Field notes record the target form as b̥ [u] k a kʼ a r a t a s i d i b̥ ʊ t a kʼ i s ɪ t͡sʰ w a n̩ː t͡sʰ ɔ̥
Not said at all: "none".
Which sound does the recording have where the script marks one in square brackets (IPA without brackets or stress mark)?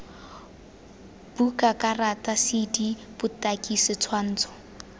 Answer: u